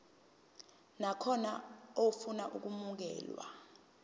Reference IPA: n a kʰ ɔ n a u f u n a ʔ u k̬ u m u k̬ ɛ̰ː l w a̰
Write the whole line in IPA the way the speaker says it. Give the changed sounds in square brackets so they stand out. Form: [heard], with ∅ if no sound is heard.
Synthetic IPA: n a kʰ ɔ n a [o] f u n a ʔ u k̬ u m u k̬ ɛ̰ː l w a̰